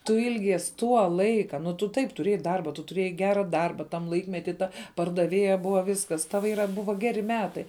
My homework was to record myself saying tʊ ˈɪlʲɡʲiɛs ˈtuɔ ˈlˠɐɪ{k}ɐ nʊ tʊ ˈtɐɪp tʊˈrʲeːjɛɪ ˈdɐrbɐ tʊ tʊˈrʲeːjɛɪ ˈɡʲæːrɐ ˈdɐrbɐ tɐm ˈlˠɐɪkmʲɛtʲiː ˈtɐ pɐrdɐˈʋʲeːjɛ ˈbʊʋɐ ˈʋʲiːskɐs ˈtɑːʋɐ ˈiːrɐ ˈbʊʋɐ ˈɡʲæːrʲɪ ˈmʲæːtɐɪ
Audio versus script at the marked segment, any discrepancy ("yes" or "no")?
no